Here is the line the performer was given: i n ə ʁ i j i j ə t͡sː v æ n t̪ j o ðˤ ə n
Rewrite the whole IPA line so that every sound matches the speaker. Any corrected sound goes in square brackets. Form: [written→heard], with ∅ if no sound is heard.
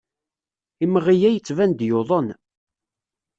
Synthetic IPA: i [n→m] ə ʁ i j [i→æ] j ə t͡sː v æ n [t̪→d̪] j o ðˤ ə n